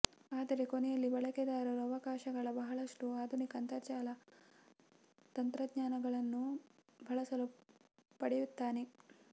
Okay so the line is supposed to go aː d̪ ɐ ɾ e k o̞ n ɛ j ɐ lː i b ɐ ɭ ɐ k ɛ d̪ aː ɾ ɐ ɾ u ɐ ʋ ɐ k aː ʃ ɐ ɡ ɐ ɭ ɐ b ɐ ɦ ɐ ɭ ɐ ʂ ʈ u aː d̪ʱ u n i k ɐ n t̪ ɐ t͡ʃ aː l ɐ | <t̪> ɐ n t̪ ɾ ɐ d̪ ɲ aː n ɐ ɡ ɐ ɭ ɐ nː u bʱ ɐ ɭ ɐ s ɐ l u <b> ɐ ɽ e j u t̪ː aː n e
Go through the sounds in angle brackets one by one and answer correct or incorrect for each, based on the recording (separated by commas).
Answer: correct, incorrect